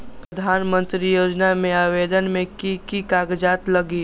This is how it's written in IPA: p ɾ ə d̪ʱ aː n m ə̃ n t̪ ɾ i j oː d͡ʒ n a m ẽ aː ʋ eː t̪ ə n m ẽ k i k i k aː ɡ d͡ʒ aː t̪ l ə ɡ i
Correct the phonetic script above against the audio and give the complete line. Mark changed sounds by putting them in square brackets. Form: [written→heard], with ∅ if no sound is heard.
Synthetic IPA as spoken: p ɾ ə d̪ʱ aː n m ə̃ n t̪ ɾ i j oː d͡ʒ n a m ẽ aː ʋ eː [t̪→d̪] ə n m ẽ k i k i k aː ɡ d͡ʒ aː t̪ l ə ɡ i